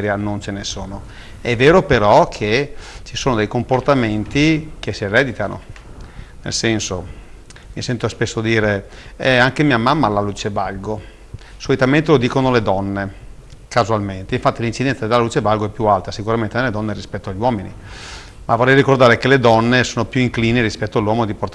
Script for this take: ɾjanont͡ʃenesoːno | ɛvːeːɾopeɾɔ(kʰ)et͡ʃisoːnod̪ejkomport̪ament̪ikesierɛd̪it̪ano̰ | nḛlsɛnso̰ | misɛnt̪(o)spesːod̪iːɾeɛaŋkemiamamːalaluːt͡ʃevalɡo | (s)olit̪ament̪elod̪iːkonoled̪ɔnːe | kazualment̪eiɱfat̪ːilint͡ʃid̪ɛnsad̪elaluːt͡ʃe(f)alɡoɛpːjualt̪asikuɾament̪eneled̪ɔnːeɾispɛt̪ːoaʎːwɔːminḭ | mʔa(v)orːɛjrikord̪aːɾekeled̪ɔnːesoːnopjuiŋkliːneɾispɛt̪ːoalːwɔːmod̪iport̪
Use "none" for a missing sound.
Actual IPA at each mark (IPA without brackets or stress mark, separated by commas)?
kʰ, o, s, v, v